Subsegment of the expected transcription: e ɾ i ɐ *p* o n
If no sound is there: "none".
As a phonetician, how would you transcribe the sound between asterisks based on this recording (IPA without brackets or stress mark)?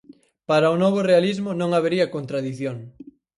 k